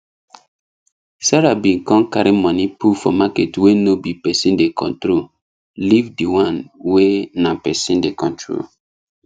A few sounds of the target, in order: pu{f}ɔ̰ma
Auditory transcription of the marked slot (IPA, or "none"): f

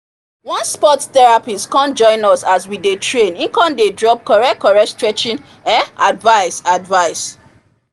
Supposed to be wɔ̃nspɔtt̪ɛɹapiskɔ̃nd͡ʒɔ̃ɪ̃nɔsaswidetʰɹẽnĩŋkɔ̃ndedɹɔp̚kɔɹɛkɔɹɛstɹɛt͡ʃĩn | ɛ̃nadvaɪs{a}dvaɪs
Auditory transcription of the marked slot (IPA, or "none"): a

